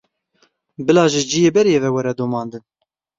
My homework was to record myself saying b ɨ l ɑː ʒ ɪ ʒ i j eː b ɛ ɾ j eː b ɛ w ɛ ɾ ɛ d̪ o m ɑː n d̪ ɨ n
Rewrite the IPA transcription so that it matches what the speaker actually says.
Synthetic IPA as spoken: b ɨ l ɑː ʒ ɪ d͡ʒ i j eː b ɛ ɾ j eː v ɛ w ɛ ɾ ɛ d̪ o m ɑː n d̪ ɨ n